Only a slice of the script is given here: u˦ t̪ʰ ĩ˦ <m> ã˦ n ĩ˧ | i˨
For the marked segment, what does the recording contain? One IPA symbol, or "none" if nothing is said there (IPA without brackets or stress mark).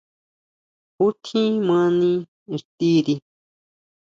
m